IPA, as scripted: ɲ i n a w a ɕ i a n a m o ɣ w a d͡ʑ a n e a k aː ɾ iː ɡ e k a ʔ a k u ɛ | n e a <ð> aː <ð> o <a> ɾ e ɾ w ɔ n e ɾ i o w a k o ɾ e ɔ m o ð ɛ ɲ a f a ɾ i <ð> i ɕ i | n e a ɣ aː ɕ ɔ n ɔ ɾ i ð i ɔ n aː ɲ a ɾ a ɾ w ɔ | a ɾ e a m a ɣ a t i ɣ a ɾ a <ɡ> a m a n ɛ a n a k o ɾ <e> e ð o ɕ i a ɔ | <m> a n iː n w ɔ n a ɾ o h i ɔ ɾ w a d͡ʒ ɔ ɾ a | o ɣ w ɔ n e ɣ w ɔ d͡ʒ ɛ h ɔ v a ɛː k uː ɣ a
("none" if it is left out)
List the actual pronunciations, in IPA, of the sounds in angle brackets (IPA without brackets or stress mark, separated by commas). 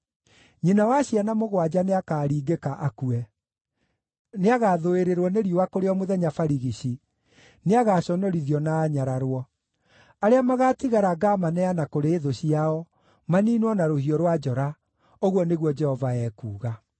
ɣ, ð, e, ɣ, ɡ, e, m